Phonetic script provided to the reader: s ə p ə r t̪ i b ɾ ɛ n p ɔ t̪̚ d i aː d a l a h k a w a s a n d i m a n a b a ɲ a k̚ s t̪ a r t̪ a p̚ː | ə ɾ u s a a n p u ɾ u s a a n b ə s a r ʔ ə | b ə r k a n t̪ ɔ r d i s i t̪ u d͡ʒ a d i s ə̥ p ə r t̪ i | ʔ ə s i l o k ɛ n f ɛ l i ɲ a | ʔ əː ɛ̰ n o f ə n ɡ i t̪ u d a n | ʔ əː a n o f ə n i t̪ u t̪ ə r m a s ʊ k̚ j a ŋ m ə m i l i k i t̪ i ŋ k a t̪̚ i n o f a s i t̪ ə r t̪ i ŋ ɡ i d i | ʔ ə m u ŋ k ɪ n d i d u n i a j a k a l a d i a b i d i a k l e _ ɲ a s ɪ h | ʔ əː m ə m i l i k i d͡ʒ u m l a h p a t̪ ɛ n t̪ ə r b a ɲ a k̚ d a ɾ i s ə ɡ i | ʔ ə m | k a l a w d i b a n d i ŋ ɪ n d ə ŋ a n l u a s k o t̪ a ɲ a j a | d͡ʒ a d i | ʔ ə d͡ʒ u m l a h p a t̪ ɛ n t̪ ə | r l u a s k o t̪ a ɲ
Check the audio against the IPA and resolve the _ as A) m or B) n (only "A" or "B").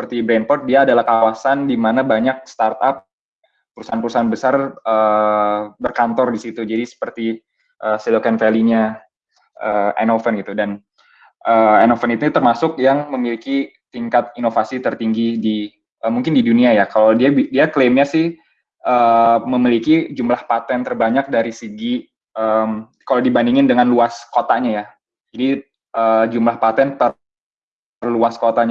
A